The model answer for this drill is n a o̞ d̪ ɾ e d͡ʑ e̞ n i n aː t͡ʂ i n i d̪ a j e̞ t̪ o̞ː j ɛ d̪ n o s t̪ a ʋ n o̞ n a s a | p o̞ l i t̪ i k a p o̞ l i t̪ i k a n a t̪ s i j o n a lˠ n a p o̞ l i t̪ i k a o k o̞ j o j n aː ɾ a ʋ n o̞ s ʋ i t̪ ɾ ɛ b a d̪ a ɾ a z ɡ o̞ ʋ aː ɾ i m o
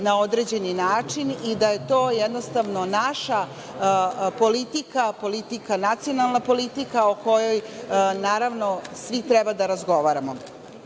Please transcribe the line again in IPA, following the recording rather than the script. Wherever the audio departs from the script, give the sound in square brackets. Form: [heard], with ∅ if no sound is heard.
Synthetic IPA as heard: n a o̞ d̪ ɾ e d͡ʑ e̞ n i n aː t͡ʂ i n i d̪ a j e̞ t̪ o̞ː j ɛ d̪ n o s t̪ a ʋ n o̞ n a [ʃ] a | p o̞ l i t̪ i k a p o̞ l i t̪ i k a n a t̪ s i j o n a lˠ n a p o̞ l i t̪ i k a o k o̞ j o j n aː ɾ a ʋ n o̞ s ʋ i t̪ ɾ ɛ b a d̪ a ɾ a z ɡ o̞ ʋ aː ɾ [a] m o